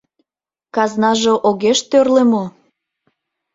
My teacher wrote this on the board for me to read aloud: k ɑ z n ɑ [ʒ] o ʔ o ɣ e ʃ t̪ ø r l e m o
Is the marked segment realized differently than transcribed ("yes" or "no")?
no